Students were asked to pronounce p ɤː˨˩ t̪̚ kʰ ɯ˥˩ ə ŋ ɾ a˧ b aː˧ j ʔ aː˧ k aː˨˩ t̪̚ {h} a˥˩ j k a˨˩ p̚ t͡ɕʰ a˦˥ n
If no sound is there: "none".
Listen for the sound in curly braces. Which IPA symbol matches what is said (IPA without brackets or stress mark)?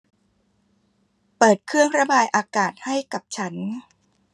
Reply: h